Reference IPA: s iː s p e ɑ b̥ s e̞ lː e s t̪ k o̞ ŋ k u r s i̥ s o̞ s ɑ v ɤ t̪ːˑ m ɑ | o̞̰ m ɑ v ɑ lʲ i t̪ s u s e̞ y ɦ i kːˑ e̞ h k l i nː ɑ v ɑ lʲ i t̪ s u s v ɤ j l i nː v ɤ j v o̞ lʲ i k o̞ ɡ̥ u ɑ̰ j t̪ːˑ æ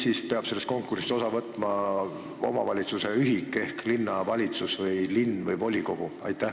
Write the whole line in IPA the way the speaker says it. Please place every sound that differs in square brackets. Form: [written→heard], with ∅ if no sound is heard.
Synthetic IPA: s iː s p e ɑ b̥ s e̞ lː e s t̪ k o̞ ŋ k u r s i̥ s o̞ s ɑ v ɤ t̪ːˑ m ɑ | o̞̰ m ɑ v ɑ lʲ i t̪ s u s e̞ y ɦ i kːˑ e̞ h k l i nː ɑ v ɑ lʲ i t̪ s u s v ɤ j l i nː v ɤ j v o̞ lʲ i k o̞ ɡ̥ u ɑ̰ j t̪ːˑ æ

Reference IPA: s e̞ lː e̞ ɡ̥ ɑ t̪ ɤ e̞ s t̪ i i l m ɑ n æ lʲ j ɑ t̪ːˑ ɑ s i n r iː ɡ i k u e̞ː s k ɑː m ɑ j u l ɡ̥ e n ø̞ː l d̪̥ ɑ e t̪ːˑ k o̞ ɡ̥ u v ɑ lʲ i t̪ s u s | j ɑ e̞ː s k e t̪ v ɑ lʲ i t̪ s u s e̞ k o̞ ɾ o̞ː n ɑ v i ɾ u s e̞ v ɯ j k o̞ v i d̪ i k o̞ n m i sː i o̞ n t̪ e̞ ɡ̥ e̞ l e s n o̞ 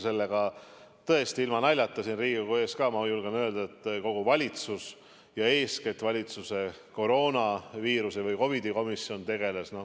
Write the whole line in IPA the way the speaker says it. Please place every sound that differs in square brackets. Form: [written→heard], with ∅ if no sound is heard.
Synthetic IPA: s e̞ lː e̞ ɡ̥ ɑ t̪ ɤ e̞ s t̪ i i l m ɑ n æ lʲ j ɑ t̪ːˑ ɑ s i n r iː ɡ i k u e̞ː s k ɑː m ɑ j u l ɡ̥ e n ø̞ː l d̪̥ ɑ e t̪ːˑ k o̞ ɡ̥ u v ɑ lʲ i t̪ s u s | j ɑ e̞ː s k e t̪ v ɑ lʲ i t̪ s u s e̞ k o̞ ɾ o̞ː n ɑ v [i→iː] ɾ u s e̞ v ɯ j k o̞ v i d̪ i k o̞ [n→∅] m i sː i o̞ n t̪ e̞ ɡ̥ e̞ l e s n o̞

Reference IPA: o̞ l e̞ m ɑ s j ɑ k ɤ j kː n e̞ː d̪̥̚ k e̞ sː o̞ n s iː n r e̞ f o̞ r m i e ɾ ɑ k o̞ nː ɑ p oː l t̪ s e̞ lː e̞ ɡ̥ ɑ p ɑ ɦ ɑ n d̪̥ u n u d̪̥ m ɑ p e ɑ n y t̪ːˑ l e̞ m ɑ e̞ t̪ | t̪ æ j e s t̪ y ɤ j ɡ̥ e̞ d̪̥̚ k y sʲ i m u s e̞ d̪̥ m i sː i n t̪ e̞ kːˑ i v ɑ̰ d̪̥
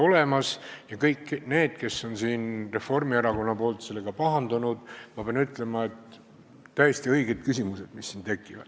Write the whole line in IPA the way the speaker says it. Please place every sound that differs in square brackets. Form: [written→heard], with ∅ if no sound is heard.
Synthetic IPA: o̞ l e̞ m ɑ s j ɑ k ɤ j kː n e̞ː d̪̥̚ k e̞ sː o̞ n s iː n r e̞ f o̞ r m i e ɾ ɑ k o̞ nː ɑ p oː l t̪ s e̞ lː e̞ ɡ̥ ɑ p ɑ ɦ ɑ n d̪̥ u n u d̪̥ m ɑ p e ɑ n y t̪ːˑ l e̞ m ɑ e̞ t̪ | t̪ æ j e s t̪ [y→i] ɤ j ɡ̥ e̞ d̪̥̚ k y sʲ i m u s e̞ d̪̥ m i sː i n t̪ e̞ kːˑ i v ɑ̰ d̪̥

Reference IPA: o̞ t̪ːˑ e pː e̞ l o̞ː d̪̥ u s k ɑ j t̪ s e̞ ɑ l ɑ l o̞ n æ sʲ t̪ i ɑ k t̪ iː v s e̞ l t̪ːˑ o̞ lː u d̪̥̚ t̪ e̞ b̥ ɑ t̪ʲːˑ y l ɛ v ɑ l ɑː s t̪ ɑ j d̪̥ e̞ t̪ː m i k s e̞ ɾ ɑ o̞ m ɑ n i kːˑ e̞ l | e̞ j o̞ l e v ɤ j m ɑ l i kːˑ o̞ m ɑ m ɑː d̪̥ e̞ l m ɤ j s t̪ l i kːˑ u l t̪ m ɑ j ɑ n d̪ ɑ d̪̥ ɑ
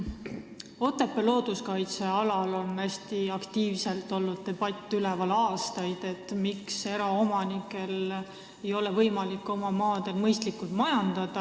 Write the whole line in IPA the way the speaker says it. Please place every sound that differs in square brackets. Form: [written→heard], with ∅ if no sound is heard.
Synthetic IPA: o̞ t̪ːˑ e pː e̞ l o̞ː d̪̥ u s k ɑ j t̪ s e̞ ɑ l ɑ l o̞ n æ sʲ t̪ i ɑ k t̪ iː v s e̞ l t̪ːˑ o̞ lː u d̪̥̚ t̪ e̞ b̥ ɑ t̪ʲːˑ y l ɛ v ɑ l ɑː s t̪ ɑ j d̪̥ e̞ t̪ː m i k s e̞ ɾ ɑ o̞ m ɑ n i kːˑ e̞ l | e̞ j o̞ l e v ɤ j m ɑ l i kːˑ o̞ m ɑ m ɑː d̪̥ e̞ l m ɤ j s t̪ l i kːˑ u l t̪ m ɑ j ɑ n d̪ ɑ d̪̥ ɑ

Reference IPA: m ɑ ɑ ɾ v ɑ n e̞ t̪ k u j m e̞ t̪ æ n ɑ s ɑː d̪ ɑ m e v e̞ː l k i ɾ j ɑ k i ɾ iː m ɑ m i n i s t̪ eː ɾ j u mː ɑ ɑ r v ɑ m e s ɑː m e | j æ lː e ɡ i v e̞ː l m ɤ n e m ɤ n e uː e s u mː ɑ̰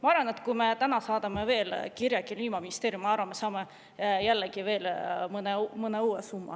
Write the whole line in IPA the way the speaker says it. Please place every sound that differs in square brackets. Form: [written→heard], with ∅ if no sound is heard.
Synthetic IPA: m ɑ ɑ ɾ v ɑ n e̞ t̪ k u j m e̞ t̪ æ n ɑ s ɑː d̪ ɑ m e v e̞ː l k i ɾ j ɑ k i [ɾ→l] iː m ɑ m i n i s t̪ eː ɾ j u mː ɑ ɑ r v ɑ m e s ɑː m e | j æ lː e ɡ i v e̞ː l m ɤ n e m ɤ n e uː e s u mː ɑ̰

